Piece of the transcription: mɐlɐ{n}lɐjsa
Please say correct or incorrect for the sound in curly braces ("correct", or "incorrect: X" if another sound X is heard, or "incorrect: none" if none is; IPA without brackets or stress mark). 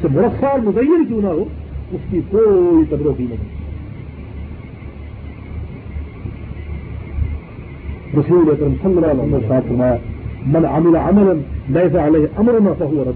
correct